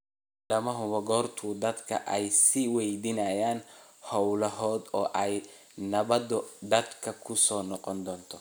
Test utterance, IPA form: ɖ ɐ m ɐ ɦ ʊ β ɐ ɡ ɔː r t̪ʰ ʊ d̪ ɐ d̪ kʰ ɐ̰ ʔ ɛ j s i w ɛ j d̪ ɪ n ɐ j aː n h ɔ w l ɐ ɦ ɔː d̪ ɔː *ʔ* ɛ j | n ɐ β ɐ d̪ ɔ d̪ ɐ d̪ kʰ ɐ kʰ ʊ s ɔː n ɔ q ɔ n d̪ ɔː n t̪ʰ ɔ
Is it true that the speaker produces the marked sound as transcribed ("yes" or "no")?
yes